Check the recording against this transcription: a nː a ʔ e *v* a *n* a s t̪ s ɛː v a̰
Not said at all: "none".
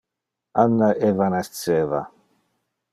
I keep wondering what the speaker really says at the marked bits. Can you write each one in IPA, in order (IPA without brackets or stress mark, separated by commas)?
v, n